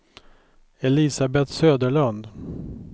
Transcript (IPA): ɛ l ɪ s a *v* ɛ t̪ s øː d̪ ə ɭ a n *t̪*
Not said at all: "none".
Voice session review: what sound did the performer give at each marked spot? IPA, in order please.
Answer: b, d̪

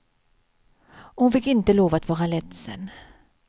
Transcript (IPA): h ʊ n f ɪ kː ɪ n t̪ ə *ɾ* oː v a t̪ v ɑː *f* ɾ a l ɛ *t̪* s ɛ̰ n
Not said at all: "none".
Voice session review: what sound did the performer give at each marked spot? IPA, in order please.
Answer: l, none, t̪

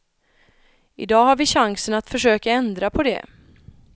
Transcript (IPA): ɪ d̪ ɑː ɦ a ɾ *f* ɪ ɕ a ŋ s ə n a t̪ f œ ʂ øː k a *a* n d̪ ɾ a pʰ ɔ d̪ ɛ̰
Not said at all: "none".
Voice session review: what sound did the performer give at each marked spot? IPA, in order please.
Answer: v, ɛ

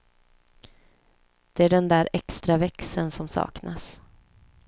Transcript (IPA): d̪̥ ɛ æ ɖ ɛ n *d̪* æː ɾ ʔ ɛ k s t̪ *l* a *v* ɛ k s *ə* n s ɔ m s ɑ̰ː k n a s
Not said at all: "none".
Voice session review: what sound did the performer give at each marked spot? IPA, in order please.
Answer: d̪, ɾ, v, ə

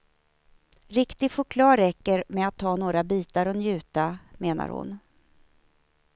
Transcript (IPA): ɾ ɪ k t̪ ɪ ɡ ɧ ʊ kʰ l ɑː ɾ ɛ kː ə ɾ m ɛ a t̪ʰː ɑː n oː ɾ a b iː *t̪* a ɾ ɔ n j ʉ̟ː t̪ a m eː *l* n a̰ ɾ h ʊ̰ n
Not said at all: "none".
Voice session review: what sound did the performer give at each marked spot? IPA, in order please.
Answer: t̪, none

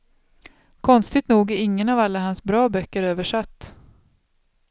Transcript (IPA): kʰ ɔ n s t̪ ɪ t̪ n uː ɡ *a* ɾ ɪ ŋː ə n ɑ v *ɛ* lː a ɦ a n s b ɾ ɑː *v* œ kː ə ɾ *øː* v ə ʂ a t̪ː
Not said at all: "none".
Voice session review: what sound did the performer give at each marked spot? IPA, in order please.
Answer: æ, a, b, øː

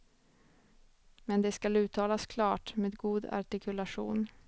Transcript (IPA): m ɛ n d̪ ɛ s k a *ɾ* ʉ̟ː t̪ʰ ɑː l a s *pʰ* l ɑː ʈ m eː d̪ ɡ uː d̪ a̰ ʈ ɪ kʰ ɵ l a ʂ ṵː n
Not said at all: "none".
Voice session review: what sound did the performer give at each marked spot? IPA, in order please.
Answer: l, kʰ

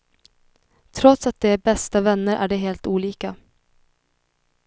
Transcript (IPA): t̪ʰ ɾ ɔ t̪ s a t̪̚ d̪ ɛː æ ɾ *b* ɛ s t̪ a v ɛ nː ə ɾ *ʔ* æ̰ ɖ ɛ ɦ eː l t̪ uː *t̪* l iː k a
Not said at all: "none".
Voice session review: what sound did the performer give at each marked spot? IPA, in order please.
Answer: b, ʔ, none

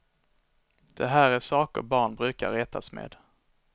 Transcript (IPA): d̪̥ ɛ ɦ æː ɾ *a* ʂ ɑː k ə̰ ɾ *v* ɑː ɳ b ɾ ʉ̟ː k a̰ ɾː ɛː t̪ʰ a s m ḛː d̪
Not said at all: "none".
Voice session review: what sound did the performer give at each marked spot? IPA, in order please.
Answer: æ, b

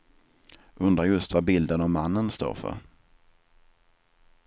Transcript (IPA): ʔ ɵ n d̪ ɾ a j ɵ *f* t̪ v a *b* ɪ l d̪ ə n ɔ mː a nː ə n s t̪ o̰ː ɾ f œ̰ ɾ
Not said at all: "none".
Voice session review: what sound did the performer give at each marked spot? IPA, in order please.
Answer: s, b

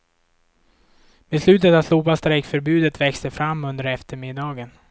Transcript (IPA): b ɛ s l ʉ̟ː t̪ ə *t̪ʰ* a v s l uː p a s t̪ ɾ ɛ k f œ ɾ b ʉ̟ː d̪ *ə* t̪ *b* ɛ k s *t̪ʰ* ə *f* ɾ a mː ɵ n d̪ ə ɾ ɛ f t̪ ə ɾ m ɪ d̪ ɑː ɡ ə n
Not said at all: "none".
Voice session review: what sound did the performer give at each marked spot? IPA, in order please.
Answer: t̪, ə, v, t̪, f

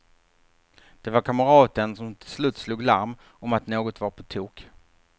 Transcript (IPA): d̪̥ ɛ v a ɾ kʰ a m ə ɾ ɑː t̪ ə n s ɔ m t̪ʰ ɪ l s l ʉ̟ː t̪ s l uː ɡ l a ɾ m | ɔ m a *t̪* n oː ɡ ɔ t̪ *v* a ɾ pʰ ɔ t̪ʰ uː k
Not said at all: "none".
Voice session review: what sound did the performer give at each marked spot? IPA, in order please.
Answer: t̪, v

